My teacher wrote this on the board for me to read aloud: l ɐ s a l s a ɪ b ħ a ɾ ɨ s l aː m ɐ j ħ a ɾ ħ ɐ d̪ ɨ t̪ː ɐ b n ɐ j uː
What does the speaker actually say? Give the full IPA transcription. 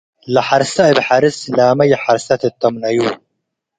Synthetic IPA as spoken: l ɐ ħ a ɾ s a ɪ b ħ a ɾ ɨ s l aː m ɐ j ħ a ɾ s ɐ t̪ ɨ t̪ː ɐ m n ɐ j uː

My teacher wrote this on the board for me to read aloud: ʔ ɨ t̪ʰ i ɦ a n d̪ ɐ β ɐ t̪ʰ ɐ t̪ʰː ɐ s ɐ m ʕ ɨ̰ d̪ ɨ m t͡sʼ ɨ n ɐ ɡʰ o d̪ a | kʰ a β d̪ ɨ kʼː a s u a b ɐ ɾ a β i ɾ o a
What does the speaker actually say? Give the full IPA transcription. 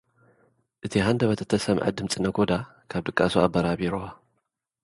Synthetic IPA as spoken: ʔ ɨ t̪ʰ i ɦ a n d̪ ɐ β ɐ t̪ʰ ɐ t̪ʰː ɐ s ɐ m ʕ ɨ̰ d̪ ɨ m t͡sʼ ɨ n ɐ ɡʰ o d̪ a | kʰ a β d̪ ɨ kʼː a s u a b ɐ ɾ a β i ɾ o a

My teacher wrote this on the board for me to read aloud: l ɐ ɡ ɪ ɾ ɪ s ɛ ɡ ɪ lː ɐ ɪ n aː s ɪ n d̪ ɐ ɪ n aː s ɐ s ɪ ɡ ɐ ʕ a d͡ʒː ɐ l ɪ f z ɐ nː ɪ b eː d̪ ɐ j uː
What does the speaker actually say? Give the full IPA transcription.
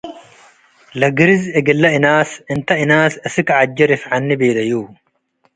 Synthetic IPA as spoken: l ɐ ɡ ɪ ɾ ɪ z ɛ ɡ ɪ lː ɐ ɪ n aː s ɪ n t̪ ɐ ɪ n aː s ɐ s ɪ k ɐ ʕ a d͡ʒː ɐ ɾ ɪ f ʕ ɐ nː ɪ b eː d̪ ɐ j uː

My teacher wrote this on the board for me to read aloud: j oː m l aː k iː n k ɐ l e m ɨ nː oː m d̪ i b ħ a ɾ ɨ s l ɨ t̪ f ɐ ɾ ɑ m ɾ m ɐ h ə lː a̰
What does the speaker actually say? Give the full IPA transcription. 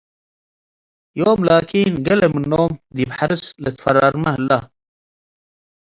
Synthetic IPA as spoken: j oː m l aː k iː n ɡ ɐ l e m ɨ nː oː m d̪ i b ħ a ɾ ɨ s l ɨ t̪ f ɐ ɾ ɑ ɾ m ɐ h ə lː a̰

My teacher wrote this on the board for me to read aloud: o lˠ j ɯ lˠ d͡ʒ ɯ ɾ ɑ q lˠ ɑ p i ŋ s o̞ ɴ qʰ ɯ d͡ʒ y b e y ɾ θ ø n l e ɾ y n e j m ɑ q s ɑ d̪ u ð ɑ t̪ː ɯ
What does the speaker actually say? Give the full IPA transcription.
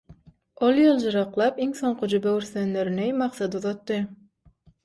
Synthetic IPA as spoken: o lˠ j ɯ lˠ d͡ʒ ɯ ɾ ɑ q lˠ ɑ p i ŋ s o̞ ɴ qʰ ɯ d͡ʒ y b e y ɾ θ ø n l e ɾ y n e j m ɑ q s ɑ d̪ u ð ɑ t̪ː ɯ

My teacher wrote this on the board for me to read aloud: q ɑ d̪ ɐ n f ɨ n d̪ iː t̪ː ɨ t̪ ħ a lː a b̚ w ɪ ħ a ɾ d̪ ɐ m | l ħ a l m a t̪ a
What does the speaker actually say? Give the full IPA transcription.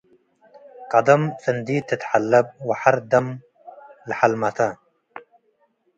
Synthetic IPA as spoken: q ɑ d̪ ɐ m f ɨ n d̪ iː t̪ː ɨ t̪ ħ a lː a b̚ w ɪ ħ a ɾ d̪ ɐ m | l ħ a l m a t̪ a

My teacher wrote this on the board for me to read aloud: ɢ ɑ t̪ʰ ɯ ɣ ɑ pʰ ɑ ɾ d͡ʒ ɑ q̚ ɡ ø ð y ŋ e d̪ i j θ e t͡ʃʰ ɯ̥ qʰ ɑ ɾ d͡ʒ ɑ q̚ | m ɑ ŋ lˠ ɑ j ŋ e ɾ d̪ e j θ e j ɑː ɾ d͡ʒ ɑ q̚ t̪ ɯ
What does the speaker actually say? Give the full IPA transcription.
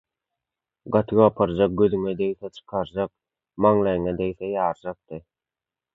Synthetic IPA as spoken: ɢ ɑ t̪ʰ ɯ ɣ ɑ pʰ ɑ ɾ d͡ʒ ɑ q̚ ɡ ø ð y ŋ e d̪ e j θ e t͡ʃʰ ɯ̥ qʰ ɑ ɾ d͡ʒ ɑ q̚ | m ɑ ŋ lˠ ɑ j ŋ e d̪ e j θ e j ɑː ɾ d͡ʒ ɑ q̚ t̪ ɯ

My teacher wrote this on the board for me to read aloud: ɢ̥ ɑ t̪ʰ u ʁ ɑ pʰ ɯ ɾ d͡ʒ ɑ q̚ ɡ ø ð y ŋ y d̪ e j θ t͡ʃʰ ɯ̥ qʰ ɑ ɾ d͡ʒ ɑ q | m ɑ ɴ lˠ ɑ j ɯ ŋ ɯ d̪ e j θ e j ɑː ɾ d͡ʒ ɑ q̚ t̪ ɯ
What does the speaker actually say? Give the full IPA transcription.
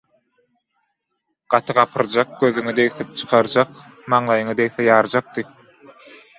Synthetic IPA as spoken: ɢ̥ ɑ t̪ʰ ɯ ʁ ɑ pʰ ɯ ɾ d͡ʒ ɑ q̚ ɡ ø ð y ŋ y d̪ e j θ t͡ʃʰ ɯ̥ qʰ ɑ ɾ d͡ʒ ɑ q | m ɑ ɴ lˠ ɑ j ɯ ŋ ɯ d̪ e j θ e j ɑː ɾ d͡ʒ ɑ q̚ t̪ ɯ

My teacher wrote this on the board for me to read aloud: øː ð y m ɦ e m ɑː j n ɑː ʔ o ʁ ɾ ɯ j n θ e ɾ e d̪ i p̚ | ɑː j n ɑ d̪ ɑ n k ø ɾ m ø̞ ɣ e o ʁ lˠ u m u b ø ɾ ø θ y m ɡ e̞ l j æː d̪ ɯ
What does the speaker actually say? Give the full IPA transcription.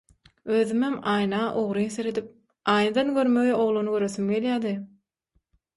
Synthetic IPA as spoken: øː ð y m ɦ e m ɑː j n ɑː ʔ o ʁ ɾ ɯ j n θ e ɾ e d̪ i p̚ | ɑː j n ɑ d̪ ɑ n ɡ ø ɾ m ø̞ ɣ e o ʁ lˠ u n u ɡ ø ɾ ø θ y m ɡ e̞ l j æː d̪ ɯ

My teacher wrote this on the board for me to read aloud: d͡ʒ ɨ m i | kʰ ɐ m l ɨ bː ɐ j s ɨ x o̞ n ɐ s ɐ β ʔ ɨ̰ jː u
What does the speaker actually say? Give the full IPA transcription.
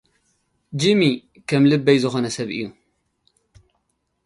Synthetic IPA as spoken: d͡ʒ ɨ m i | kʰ ɐ m l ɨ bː ɐ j z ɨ x o̞ n ɐ s ɐ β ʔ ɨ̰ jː u

